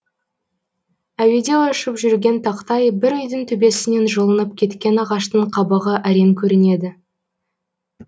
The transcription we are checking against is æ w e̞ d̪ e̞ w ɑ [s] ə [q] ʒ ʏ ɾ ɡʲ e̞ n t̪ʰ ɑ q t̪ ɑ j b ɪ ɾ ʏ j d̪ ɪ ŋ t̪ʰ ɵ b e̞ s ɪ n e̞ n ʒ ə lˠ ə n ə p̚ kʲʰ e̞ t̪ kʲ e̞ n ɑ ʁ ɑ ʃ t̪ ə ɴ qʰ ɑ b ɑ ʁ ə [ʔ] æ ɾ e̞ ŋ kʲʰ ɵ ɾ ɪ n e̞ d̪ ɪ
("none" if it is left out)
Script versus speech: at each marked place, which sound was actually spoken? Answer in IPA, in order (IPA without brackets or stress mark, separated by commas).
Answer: ʃ, p, ʔ